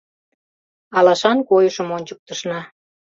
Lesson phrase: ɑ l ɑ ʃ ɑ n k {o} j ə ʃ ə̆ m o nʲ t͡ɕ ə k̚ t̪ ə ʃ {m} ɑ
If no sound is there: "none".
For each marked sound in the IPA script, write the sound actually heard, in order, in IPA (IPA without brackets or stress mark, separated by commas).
o, n